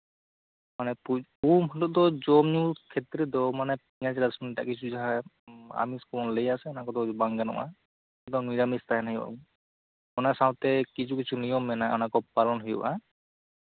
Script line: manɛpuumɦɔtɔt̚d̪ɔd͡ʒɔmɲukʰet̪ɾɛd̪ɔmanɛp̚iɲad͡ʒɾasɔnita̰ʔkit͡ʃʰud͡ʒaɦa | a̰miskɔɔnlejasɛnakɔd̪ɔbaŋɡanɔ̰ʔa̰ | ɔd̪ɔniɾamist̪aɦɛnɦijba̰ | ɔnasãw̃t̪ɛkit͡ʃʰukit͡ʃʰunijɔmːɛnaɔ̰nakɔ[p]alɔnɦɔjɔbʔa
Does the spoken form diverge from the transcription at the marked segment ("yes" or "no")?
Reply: no